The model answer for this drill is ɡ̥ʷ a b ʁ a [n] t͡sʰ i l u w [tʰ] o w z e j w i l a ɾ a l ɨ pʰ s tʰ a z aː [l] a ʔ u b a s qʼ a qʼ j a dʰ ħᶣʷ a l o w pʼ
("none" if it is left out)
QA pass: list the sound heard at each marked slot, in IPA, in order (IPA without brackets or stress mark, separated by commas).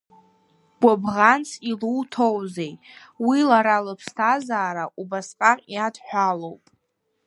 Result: n, tʰ, ɾ